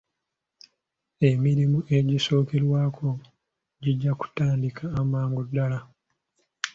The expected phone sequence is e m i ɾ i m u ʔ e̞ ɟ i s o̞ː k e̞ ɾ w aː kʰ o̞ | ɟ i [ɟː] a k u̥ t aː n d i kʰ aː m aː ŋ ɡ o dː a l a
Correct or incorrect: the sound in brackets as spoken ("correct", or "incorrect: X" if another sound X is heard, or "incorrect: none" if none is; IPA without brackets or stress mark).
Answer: correct